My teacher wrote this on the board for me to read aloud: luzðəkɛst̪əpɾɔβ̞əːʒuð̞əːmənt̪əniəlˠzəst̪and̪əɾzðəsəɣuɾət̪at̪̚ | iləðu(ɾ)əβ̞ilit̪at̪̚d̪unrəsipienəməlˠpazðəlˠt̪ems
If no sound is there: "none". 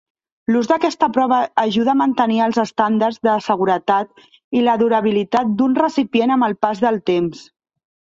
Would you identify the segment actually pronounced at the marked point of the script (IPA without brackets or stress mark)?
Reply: ɾ